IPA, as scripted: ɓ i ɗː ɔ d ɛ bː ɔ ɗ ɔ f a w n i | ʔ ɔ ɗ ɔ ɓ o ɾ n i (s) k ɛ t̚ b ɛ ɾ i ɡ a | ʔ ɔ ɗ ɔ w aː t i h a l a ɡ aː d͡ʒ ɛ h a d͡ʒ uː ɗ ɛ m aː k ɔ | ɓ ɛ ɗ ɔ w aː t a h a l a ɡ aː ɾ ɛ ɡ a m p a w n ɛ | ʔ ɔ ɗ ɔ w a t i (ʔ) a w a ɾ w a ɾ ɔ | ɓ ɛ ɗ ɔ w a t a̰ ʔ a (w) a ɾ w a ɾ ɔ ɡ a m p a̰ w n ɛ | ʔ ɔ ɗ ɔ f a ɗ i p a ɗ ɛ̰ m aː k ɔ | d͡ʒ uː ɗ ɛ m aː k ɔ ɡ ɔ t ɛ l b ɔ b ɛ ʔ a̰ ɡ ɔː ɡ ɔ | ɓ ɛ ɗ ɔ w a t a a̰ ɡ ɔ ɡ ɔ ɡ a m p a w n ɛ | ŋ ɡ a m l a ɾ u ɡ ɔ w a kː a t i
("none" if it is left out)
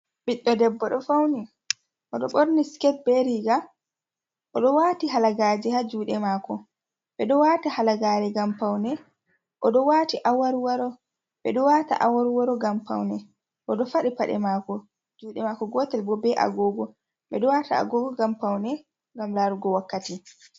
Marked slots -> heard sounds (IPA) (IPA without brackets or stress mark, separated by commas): s, ʔ, w